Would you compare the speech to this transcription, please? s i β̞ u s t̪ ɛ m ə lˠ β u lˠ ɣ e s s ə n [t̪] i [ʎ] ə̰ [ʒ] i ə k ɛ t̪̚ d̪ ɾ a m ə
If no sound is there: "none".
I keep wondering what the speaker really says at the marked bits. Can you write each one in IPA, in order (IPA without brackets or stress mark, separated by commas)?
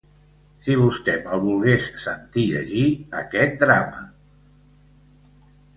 t̪, ʎ, ʒ